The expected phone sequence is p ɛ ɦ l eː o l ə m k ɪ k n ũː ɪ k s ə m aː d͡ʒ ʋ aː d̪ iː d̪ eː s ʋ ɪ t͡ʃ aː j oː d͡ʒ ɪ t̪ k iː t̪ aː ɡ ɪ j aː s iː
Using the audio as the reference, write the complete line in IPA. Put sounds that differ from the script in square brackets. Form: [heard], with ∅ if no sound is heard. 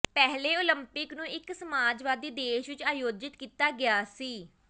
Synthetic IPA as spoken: p ɛ ɦ l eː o l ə m [p] ɪ k n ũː ɪ k s ə m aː d͡ʒ ʋ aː d̪ iː d̪ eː [ʃ] ʋ ɪ t͡ʃ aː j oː d͡ʒ ɪ t̪ k iː t̪ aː ɡ ɪ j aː s iː